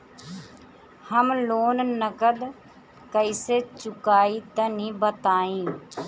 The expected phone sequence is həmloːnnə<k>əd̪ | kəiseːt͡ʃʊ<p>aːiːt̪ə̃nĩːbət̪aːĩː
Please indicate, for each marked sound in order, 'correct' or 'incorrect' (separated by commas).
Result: correct, incorrect